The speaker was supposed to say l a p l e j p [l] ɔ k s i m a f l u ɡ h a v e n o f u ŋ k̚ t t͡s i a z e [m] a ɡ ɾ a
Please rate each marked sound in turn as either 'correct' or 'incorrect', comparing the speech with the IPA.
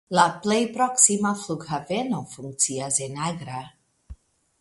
incorrect, incorrect

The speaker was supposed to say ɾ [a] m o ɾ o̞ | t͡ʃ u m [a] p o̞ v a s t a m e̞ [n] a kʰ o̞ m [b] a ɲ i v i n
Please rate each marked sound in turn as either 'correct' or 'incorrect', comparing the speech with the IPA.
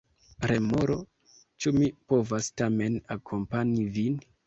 incorrect, incorrect, correct, incorrect

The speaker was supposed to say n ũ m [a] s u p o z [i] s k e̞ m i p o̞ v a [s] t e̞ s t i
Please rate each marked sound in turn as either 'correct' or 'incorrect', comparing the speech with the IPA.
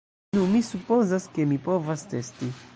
incorrect, incorrect, correct

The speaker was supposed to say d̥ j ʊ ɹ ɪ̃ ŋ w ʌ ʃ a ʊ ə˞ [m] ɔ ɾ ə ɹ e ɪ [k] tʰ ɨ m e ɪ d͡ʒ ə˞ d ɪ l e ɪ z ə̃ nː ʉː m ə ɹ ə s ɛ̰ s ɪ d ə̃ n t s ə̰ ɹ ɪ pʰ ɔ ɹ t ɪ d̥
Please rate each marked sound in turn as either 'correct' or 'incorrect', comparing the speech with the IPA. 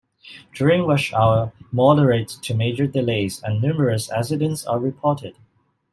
correct, incorrect

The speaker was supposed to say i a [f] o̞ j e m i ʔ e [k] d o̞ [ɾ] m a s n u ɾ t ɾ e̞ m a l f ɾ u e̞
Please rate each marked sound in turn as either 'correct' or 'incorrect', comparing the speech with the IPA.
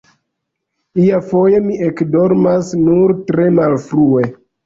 correct, correct, correct

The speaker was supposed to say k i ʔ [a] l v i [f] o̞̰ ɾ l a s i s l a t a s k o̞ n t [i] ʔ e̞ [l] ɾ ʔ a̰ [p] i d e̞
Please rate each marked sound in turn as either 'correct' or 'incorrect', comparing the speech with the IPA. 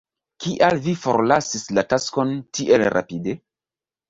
correct, correct, correct, correct, correct

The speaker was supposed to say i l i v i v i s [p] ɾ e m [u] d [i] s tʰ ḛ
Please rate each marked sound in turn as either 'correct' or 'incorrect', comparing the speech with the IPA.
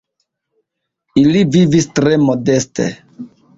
incorrect, incorrect, incorrect

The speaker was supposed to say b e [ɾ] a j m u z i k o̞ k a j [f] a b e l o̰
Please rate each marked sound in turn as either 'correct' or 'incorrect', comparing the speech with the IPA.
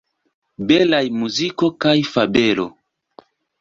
incorrect, correct

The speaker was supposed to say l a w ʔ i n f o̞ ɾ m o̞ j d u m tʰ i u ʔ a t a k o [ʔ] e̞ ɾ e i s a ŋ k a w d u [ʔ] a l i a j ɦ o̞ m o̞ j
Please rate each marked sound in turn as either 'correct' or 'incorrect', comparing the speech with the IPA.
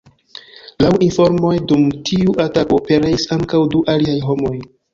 incorrect, correct

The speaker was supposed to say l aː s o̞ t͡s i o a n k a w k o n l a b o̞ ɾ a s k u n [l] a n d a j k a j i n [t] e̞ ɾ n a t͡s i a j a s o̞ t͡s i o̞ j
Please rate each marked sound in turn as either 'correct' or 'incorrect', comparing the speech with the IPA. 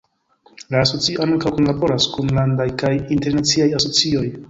correct, correct

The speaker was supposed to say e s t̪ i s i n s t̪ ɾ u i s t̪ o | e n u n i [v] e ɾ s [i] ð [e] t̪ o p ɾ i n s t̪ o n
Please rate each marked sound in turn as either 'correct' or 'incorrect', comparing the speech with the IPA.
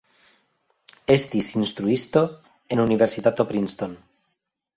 incorrect, correct, incorrect

